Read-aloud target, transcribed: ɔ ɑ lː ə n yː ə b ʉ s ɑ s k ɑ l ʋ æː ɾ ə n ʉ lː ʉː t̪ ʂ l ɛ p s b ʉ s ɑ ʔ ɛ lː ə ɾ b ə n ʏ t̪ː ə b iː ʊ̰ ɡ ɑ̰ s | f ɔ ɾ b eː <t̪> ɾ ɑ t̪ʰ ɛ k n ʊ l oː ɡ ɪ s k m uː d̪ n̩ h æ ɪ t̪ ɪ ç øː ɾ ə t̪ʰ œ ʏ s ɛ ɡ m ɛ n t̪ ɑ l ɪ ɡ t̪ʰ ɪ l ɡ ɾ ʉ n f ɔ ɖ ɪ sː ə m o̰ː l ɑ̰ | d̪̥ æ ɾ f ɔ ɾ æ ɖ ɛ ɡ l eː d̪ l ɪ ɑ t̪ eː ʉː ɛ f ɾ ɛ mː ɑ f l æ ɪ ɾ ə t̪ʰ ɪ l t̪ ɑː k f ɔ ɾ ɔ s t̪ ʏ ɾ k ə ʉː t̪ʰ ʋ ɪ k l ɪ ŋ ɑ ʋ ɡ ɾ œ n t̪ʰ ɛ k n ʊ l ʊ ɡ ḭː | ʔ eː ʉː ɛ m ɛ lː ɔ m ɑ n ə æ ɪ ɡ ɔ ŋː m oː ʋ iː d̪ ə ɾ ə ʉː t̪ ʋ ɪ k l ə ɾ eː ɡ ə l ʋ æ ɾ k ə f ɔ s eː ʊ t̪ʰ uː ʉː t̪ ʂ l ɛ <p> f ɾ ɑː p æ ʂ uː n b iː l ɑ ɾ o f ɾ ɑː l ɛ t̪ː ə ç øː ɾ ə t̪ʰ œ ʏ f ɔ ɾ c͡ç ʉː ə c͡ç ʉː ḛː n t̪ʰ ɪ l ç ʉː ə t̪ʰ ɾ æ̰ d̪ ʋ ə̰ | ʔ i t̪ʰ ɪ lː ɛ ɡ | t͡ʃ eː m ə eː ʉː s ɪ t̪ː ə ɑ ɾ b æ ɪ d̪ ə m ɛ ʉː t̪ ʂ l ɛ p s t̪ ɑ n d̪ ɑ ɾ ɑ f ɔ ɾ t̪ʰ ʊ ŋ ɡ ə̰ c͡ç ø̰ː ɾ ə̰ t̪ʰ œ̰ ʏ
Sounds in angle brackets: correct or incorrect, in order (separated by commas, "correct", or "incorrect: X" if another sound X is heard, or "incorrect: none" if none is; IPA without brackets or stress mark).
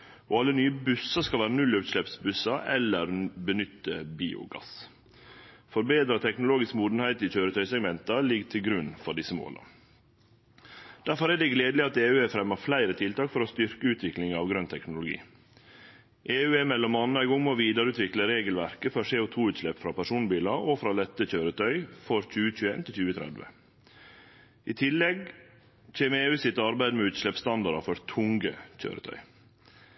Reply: incorrect: d̪, correct